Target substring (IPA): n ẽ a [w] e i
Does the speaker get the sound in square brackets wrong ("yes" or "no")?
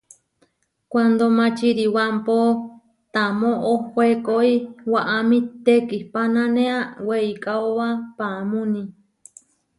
no